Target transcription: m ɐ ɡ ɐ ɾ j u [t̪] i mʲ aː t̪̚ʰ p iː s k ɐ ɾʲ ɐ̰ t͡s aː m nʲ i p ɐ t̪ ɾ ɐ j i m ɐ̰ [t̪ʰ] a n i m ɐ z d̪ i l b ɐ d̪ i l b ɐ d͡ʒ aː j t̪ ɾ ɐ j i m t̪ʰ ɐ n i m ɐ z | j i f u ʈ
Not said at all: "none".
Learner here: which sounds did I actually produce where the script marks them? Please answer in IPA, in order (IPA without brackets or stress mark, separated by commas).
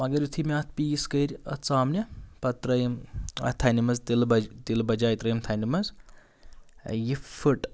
t̪ʰ, t̪ʰ